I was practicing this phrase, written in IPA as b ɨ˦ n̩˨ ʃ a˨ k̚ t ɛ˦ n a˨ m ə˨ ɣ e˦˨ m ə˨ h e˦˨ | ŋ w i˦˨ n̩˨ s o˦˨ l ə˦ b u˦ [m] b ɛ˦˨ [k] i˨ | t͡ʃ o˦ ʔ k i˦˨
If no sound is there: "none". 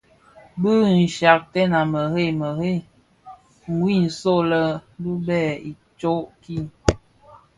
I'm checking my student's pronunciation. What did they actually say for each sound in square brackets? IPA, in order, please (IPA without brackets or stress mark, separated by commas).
none, none